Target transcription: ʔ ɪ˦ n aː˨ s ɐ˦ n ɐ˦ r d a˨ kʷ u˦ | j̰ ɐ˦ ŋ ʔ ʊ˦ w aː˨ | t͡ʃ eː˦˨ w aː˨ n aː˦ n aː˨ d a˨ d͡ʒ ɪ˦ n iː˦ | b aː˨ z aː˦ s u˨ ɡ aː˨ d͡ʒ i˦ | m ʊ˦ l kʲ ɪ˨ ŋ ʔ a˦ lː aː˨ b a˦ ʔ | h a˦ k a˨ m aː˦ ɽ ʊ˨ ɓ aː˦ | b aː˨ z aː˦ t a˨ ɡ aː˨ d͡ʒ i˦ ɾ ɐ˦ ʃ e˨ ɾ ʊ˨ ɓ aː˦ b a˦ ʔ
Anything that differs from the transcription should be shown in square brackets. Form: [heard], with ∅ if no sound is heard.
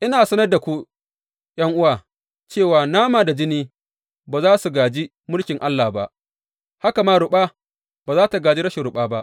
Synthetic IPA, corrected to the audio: ʔ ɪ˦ n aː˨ s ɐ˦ n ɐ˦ r d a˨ kʷ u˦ | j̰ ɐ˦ ŋ ʔ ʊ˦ w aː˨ | t͡ʃ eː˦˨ w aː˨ n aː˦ [m] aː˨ d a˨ d͡ʒ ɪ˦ n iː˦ | b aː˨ z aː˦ s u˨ ɡ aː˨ d͡ʒ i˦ | m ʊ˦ l kʲ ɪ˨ ŋ ʔ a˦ lː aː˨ b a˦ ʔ | h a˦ k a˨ m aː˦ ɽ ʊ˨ ɓ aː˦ | b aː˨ z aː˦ t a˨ ɡ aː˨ d͡ʒ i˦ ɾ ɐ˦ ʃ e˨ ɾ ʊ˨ ɓ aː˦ b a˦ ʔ

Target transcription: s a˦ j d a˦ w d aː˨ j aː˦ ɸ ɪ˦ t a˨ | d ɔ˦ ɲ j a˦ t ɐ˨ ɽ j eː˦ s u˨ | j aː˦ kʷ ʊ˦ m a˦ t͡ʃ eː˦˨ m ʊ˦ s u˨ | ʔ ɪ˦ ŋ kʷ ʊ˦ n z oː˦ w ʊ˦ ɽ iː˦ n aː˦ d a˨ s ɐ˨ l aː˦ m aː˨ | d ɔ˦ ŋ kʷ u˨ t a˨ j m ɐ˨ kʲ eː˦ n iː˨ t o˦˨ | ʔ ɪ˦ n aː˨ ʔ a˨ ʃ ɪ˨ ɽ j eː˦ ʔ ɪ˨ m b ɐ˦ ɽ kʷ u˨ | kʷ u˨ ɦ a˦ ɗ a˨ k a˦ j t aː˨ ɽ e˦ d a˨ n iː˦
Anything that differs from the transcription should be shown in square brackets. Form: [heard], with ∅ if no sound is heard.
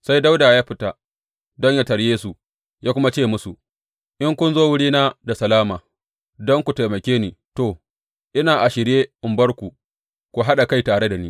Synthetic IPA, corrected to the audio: s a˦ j d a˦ w d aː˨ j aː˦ ɸ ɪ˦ t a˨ | d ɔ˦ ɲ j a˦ t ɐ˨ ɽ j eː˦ s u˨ | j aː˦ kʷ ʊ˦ m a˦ t͡ʃ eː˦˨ m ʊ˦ s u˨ | ʔ ɪ˦ ŋ kʷ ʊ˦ n z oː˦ w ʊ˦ ɽ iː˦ n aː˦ d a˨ s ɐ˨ l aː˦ m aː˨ | d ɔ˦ ŋ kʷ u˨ t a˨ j m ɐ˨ kʲ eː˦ n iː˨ t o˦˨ | ʔ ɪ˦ n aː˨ ʔ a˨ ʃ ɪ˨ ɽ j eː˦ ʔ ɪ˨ m b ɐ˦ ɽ kʷ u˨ | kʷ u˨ ɦ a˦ ɗ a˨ k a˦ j t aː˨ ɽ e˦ d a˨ n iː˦

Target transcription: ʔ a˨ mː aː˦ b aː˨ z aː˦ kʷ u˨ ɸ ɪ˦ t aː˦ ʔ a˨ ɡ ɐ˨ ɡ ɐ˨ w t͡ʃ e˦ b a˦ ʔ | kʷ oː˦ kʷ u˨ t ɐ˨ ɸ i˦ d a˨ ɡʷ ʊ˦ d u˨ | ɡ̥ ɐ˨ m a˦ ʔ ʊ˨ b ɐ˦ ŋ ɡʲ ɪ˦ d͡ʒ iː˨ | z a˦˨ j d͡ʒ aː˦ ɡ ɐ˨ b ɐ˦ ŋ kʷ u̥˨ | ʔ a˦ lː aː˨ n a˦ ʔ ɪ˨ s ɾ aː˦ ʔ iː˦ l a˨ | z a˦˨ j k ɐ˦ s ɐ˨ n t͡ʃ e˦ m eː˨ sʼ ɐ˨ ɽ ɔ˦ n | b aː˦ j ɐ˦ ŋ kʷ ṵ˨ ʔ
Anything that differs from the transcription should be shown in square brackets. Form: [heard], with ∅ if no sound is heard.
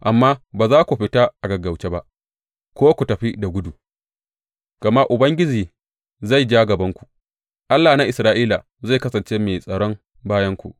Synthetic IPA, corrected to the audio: ʔ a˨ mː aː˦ b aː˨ z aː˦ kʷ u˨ ɸ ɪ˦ t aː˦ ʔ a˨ ɡ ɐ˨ ɡ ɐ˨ w t͡ʃ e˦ b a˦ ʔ | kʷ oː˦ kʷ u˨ t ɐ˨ ɸ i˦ d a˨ ɡʷ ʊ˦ d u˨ | ɡ̥ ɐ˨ m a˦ ʔ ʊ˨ b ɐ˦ ŋ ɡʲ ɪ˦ d͡ʒ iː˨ | z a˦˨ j d͡ʒ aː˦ ɡ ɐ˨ b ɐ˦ ŋ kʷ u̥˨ | ʔ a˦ lː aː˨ n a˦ ʔ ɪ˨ s ɾ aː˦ ʔ iː˦ l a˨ | z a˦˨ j k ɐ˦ s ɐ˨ n t͡ʃ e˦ m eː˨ sʼ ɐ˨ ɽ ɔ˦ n | b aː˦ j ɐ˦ ŋ kʷ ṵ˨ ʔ

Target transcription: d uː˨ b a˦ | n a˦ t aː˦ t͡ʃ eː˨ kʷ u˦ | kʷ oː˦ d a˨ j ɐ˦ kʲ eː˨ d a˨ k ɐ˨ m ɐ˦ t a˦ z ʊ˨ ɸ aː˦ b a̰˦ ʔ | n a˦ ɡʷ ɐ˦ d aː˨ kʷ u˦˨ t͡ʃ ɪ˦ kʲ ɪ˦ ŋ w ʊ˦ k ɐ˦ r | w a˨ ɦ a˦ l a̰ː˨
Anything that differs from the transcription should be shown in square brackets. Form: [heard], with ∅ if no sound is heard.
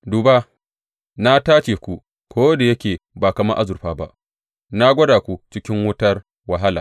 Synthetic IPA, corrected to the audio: d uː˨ b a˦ | n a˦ t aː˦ t͡ʃ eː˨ kʷ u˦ | kʷ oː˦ d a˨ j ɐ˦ kʲ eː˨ [b] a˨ k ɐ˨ m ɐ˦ [ʔ] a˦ z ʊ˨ ɸ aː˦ b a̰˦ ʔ | n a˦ ɡʷ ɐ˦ d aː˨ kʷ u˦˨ t͡ʃ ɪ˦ kʲ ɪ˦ ŋ w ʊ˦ [t] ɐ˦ r | w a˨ ɦ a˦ l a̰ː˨

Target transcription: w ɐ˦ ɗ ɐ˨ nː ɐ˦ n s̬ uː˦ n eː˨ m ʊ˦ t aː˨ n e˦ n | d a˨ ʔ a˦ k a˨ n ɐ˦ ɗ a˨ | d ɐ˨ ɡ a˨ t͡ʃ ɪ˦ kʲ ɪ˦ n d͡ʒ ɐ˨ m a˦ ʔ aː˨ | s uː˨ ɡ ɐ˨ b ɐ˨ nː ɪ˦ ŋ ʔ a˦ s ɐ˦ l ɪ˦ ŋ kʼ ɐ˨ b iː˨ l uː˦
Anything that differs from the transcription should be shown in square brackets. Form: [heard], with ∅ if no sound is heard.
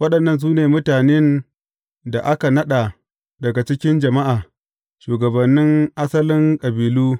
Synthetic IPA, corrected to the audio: w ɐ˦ ɗ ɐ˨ nː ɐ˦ n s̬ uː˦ n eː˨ m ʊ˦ t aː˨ n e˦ n | d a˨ ʔ a˦ k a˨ n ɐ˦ ɗ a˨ | d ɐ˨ ɡ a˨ t͡ʃ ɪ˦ kʲ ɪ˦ n d͡ʒ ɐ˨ m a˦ ʔ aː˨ | [ʃ] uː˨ ɡ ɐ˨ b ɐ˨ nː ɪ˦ ŋ ʔ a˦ s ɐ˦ l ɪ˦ ŋ kʼ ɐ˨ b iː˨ l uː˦

